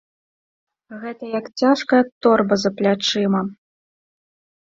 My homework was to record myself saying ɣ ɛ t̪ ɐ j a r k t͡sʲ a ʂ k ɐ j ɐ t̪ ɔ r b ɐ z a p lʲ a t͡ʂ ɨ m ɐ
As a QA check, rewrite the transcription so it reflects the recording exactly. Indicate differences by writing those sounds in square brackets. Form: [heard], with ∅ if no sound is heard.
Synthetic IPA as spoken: ɣ ɛ t̪ ɐ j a [∅] k t͡sʲ a ʂ k ɐ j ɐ t̪ ɔ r b ɐ z [ɐ] p lʲ a t͡ʂ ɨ m ɐ